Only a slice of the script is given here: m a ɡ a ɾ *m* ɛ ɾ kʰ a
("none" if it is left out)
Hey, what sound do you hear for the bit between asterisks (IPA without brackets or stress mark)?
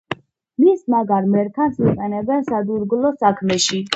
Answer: m